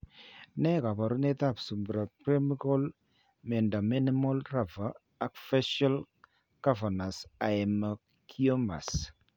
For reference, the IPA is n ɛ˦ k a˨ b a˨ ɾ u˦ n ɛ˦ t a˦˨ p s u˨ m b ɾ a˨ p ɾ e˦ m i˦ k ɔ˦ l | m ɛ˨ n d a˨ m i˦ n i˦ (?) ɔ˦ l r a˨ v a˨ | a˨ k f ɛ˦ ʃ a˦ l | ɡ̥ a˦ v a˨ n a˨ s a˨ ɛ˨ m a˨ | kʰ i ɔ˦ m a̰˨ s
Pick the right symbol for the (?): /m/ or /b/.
m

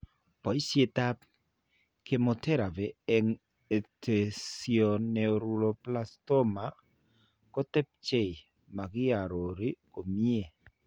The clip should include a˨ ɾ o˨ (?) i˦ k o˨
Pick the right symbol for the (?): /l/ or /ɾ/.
ɾ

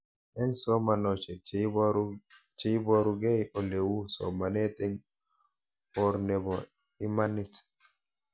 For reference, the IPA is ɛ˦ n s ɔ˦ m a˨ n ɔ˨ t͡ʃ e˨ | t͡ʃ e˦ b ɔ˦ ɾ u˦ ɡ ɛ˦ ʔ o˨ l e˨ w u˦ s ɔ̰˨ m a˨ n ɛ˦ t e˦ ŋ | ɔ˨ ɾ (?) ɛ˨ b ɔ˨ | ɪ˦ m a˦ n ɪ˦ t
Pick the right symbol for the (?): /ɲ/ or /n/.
n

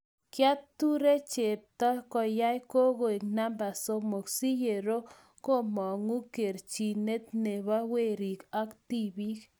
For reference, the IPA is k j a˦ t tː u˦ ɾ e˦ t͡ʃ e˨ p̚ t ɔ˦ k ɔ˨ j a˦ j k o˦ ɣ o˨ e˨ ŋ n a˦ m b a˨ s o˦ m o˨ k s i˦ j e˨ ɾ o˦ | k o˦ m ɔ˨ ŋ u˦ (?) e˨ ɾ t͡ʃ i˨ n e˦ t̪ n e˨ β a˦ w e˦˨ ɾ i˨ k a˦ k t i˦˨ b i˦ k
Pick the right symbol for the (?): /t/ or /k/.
k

